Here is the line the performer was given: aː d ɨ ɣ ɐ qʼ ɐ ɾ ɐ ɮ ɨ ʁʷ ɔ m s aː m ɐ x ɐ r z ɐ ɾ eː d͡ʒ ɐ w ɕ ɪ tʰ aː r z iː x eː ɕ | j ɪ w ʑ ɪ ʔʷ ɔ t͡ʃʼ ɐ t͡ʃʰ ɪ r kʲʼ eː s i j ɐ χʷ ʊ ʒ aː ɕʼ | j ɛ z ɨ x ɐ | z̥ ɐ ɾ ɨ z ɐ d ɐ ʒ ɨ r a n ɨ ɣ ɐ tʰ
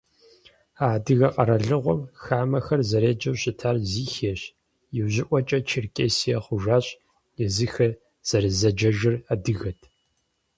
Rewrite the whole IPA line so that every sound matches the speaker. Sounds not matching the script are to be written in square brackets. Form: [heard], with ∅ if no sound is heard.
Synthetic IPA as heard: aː d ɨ ɣ ɐ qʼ ɐ ɾ ɐ ɮ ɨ ʁʷ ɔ m [x] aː m ɐ x ɐ r z ɐ ɾ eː d͡ʒ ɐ w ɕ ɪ tʰ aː r z iː x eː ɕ | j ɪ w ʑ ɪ ʔʷ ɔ t͡ʃʼ ɐ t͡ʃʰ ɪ r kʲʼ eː s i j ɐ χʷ ʊ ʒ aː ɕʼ | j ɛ z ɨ x ɐ | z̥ ɐ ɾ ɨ z ɐ [d͡ʒ] ɐ ʒ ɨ r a [d] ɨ ɣ ɐ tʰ